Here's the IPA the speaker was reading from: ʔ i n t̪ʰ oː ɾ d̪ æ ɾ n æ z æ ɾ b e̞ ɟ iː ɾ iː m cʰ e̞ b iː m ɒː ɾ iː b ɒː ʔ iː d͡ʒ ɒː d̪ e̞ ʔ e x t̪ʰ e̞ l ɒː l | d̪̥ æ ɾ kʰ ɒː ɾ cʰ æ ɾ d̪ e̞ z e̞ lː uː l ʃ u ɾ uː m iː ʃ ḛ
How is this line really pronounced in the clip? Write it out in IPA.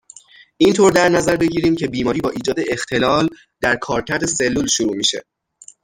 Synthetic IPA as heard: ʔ i n t̪ʰ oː ɾ d̪ æ ɾ n æ z æ ɾ b e̞ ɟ iː ɾ iː m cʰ e̞ b iː m ɒː ɾ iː b ɒː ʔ iː d͡ʒ ɒː d̪ e̞ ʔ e x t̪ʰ e̞ l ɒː l | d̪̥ æ ɾ kʰ ɒː ɾ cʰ æ ɾ d̪ e̞ s e̞ lː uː l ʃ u ɾ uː m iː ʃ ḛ